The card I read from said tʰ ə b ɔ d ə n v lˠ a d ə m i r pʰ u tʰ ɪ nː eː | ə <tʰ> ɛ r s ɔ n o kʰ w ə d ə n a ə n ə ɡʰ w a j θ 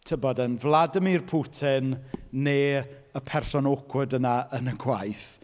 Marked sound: incorrect: pʰ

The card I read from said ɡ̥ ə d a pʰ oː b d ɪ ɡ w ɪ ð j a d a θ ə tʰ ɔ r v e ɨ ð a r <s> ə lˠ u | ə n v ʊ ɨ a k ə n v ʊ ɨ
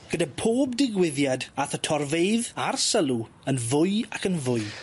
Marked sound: correct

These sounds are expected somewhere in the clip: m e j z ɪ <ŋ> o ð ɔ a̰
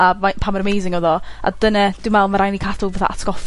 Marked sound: correct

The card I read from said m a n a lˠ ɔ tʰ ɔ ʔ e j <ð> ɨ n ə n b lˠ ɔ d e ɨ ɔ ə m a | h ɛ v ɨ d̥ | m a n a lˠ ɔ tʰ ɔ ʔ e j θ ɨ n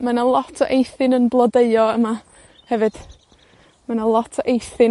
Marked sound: incorrect: θ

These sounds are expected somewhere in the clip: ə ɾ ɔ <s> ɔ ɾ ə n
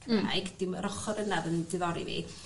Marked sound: incorrect: χ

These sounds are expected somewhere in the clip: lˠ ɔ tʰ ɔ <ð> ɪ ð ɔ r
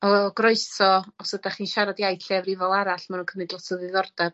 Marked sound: correct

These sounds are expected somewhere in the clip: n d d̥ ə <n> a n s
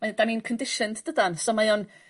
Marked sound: incorrect: d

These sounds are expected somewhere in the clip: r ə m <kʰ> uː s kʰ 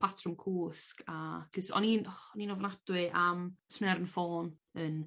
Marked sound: correct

